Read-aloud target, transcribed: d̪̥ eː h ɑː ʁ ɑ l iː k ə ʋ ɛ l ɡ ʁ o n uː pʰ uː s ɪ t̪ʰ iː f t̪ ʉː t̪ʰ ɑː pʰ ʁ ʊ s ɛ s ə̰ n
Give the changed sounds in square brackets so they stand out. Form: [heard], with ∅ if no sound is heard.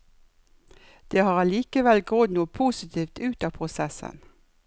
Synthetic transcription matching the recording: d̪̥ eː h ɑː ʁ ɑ l iː k ə ʋ ɛ l ɡ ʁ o n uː pʰ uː s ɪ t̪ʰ iː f t̪ ʉː [t̪] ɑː pʰ ʁ ʊ s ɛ s ə̰ n